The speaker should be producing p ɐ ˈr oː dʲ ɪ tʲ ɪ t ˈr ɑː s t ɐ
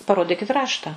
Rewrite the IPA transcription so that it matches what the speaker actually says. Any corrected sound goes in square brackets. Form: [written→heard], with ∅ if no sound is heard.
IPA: p ɐ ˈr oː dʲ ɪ [tʲ→kʲ] ɪ t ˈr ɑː [s→ʃ] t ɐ